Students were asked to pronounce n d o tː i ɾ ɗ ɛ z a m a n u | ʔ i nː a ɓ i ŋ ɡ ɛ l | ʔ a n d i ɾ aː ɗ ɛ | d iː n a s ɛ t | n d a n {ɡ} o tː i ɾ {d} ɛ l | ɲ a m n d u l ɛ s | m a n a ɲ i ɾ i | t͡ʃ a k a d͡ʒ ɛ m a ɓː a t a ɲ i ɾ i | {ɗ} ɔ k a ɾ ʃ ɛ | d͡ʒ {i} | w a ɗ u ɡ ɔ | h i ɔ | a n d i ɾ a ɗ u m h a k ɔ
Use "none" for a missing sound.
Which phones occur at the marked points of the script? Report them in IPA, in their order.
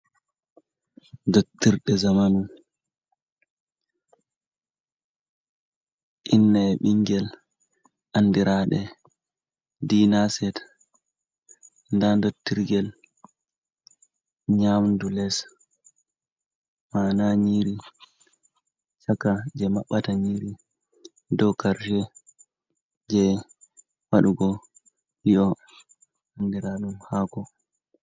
d, ɡ, d, ɛ

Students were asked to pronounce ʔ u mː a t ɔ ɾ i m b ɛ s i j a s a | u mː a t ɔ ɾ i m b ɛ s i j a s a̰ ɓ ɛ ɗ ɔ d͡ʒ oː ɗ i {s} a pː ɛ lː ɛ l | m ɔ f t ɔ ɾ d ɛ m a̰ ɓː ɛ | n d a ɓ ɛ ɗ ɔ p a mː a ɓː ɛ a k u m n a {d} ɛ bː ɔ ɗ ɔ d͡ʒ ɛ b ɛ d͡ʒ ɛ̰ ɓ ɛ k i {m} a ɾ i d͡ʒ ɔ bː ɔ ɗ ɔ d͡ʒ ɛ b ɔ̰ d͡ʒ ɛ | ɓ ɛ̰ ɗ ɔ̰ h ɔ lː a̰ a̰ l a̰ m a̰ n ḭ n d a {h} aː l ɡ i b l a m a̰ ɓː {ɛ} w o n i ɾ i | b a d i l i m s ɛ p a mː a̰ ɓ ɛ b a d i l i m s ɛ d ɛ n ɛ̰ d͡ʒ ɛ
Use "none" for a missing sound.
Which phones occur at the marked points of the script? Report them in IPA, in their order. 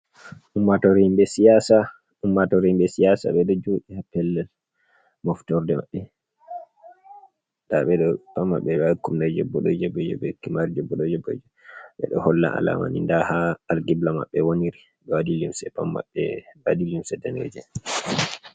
h, d͡ʒ, m, h, ɛ

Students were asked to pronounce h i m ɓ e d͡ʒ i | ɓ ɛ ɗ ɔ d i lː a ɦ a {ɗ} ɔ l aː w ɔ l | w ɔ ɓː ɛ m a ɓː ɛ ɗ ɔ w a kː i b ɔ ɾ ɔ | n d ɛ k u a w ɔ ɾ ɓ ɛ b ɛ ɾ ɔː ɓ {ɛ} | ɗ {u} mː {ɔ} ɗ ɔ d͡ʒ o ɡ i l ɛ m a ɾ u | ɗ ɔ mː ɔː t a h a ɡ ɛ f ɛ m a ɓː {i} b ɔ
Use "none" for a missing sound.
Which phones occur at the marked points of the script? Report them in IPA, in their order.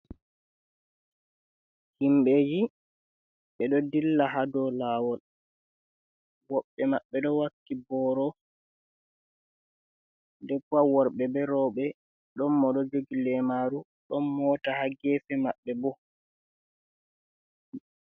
d, ɛ, ɔ, ɔ, ɛ

